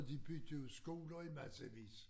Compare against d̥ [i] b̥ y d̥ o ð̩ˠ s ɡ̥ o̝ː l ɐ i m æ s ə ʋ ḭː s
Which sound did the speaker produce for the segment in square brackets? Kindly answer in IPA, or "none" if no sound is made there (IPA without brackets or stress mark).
i